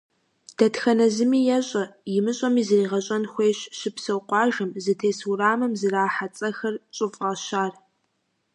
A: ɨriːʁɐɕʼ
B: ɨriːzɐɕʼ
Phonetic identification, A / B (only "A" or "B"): A